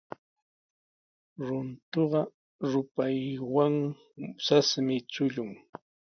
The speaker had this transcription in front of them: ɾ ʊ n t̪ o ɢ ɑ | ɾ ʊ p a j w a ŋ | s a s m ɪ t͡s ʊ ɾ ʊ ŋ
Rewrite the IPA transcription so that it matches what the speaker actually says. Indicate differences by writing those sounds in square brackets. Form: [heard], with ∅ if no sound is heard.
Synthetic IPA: ɾ ʊ n t̪ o ɢ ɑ | ɾ ʊ p a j w a ŋ | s a s m ɪ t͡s ʊ [ʎ] ʊ ŋ